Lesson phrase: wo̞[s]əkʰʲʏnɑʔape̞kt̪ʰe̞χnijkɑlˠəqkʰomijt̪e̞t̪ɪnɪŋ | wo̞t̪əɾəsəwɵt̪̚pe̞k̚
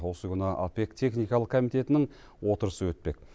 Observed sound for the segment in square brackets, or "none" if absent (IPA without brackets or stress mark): s